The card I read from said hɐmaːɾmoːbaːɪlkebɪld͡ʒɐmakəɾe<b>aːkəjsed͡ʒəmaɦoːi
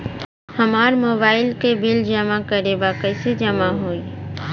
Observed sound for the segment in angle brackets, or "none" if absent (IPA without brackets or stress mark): b